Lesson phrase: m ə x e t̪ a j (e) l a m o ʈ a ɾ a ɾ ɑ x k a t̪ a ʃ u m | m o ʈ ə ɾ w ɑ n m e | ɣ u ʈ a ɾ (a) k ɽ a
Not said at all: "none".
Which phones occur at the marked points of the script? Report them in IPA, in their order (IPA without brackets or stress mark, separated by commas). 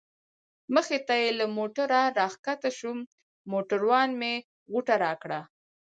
e, ɑ